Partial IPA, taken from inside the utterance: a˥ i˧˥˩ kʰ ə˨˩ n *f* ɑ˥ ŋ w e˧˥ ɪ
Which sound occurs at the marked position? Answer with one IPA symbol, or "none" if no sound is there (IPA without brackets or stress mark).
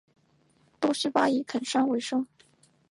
ʂ